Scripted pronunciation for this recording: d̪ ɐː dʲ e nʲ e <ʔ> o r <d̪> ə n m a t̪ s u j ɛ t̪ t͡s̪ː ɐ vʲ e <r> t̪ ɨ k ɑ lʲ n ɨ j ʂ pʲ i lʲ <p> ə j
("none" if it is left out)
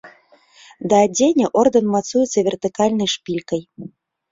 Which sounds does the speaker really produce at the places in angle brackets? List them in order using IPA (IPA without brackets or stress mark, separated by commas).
ʔ, d̪, r, k